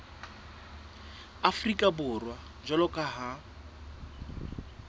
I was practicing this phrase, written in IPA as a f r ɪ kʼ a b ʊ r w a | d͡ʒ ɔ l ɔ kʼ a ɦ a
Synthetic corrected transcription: a f r i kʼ a b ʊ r w a | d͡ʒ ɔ l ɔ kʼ a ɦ a